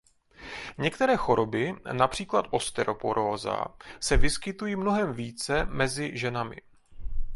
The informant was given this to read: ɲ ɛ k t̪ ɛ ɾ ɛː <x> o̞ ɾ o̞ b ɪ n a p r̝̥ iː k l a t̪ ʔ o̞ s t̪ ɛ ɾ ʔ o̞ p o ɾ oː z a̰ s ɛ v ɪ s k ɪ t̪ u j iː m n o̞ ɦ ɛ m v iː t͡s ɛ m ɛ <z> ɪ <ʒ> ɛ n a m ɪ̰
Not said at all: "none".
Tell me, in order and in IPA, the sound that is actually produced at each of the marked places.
x, z, ʒ

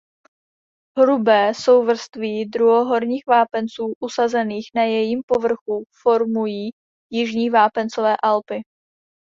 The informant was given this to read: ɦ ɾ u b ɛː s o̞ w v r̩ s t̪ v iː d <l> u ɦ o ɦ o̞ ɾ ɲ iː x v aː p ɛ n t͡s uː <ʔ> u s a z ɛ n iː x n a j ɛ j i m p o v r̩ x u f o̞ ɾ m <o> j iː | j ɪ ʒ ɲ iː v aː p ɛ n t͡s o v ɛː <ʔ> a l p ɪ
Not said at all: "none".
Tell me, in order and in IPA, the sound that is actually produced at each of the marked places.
ɾ, ʔ, u, ʔ

